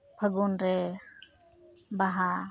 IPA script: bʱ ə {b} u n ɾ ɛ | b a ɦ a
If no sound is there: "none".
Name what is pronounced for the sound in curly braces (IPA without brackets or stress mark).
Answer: ɡ